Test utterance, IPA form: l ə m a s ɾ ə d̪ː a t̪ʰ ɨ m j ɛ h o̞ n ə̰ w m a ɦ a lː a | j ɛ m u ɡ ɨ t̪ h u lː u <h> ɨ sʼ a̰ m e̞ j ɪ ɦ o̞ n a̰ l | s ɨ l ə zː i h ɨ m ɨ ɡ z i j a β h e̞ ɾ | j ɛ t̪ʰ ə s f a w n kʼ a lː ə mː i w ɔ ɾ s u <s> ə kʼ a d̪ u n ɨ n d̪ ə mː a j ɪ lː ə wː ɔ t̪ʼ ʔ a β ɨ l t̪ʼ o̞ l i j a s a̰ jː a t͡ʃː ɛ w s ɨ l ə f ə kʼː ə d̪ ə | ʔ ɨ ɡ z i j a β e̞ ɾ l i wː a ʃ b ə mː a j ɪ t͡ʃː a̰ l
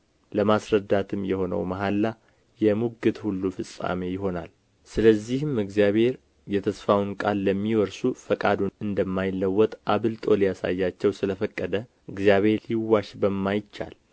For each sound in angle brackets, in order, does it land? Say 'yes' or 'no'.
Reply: no, no

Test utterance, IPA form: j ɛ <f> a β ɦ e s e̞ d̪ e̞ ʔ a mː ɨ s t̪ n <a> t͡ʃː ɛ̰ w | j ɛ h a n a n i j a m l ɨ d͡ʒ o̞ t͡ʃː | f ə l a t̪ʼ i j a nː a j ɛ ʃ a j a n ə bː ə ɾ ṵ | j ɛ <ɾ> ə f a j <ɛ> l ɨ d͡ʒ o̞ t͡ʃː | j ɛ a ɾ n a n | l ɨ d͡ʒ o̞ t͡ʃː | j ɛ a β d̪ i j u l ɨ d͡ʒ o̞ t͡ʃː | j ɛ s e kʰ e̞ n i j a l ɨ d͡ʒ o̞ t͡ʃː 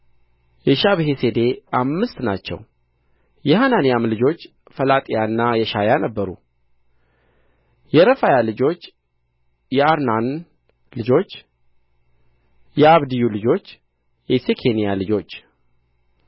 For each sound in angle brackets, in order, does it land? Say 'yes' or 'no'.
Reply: no, yes, yes, no

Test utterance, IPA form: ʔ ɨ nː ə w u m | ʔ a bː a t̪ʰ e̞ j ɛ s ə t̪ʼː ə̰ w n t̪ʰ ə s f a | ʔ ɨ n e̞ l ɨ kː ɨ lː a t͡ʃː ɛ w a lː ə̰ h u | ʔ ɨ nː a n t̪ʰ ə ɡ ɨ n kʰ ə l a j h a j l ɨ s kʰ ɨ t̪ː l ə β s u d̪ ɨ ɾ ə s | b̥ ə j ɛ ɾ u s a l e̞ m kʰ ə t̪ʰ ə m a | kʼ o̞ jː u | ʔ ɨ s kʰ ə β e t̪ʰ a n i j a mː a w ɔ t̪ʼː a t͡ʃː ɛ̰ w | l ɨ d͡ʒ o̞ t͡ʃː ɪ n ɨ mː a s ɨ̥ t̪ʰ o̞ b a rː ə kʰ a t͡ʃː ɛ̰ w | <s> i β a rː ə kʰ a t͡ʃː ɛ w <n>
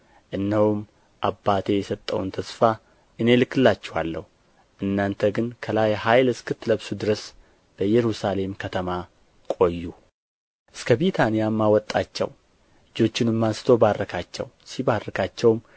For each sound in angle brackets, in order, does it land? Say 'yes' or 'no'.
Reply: yes, no

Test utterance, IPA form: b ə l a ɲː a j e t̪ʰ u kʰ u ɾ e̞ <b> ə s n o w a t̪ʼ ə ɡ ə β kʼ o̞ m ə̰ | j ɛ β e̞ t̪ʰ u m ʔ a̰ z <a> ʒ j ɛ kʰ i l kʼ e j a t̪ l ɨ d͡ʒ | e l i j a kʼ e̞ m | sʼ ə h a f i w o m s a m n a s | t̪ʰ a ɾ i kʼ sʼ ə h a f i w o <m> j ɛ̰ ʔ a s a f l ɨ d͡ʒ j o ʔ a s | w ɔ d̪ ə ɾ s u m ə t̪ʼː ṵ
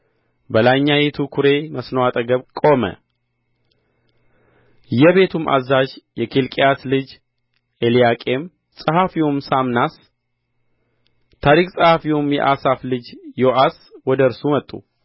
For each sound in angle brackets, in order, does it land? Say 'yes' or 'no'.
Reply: no, yes, yes

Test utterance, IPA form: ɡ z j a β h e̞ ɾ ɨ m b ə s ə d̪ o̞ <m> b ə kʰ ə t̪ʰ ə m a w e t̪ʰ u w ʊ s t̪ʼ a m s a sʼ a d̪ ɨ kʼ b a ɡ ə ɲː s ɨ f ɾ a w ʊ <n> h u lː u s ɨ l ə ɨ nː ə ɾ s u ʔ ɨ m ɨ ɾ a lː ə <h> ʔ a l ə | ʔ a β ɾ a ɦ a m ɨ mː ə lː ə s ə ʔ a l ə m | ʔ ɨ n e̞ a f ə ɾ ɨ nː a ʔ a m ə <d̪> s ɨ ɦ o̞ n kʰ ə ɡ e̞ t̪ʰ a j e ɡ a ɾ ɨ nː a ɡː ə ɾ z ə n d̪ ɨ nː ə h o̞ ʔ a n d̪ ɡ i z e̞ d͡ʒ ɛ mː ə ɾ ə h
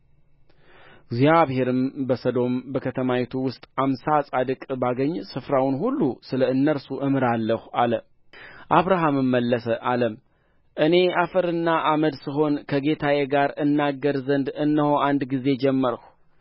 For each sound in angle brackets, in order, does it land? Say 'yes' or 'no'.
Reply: yes, yes, yes, yes

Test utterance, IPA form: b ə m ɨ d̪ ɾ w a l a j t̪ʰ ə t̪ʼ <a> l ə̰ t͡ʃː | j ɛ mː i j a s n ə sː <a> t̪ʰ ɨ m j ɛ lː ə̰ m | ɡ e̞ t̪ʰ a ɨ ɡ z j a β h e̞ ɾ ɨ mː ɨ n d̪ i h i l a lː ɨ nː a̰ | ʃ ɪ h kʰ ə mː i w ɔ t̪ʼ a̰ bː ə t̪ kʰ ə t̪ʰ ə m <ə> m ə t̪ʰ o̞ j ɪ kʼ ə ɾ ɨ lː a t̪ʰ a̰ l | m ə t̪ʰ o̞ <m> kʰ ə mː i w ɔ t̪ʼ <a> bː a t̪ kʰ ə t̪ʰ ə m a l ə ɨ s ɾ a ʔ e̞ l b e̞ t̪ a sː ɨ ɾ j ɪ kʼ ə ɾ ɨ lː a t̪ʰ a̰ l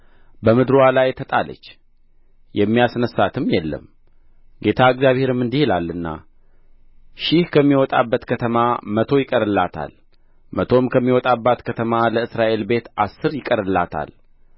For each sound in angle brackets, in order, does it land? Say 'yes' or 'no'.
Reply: yes, yes, no, yes, yes

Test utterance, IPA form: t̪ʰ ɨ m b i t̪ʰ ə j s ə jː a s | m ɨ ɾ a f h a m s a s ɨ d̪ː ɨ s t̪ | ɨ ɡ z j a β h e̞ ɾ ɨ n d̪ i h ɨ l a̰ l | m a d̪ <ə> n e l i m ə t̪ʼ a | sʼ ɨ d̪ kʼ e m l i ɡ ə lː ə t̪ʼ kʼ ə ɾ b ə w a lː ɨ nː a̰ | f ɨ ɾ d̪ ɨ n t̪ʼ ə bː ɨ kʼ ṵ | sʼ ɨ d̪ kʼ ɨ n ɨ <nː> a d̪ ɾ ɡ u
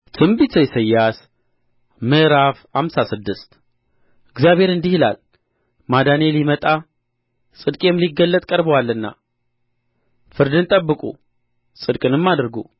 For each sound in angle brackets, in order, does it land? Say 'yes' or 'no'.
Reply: no, no

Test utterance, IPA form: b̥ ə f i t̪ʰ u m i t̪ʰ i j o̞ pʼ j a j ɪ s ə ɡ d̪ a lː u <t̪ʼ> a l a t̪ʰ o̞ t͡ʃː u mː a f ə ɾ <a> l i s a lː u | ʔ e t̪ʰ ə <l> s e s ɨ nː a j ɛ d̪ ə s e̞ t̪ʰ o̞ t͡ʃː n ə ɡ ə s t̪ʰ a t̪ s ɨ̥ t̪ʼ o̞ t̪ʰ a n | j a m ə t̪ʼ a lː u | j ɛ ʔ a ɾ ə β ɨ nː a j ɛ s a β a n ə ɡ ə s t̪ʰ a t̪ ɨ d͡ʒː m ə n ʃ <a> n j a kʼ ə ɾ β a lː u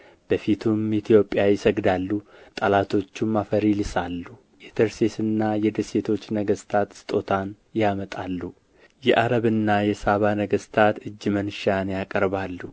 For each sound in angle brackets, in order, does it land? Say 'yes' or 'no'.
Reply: yes, no, no, yes

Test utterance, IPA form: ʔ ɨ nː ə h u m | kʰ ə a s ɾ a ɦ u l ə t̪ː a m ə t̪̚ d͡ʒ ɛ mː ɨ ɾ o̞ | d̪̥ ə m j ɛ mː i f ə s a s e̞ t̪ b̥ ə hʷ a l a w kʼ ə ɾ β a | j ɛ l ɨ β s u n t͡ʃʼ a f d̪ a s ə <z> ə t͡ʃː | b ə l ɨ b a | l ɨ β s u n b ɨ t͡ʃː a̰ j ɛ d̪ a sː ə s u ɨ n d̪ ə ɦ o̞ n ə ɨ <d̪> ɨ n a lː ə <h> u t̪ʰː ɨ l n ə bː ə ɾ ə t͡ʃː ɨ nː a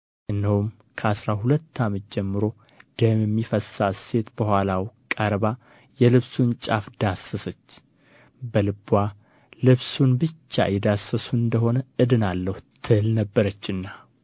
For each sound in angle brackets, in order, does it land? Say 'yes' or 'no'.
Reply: no, yes, yes

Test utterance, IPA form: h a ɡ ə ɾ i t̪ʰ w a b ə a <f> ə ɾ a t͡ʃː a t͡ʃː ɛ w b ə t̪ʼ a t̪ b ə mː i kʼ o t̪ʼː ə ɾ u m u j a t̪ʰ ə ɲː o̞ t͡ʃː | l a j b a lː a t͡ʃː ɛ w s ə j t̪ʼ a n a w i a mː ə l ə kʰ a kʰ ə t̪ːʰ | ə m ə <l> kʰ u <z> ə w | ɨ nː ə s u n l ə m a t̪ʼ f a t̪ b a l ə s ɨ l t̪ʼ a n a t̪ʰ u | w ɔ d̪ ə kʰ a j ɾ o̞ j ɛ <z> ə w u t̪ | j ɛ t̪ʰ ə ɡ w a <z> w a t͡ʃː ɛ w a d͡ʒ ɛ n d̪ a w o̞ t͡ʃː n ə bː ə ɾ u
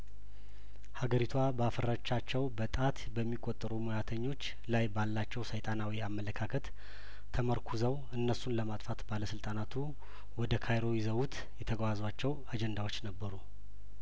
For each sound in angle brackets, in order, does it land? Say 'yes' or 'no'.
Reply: yes, no, yes, yes, yes

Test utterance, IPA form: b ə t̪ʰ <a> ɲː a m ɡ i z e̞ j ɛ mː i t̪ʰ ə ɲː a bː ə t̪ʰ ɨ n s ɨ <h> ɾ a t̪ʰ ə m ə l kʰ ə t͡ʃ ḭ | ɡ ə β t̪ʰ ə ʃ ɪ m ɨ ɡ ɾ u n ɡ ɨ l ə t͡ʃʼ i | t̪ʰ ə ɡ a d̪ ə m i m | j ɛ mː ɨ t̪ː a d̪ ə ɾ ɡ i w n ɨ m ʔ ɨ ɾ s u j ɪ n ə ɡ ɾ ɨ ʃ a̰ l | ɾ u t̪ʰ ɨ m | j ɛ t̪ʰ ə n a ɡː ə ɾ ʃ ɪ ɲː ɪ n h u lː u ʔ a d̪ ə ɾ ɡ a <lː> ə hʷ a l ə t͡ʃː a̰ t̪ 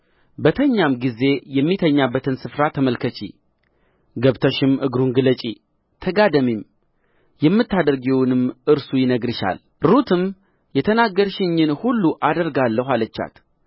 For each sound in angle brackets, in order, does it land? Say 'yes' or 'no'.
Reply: no, no, yes

